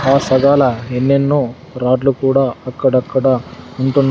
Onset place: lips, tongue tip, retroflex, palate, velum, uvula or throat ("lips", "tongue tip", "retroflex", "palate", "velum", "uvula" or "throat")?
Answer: tongue tip